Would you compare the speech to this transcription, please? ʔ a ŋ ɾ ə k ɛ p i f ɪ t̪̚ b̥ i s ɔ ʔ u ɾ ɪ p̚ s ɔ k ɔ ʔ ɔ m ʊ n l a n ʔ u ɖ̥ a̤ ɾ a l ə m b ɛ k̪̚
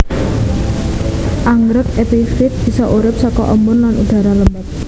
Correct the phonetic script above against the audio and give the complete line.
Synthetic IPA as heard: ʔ a ŋ ɾ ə k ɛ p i f ɪ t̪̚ b̥ i s ɔ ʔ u ɾ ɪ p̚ s ɔ k ɔ ʔ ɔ m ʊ n l a n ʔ u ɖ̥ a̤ ɾ a l ə m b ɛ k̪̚